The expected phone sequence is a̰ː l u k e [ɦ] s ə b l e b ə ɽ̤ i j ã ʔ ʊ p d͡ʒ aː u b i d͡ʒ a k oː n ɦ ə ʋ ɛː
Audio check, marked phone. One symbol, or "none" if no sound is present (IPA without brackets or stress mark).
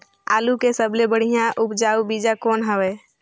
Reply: none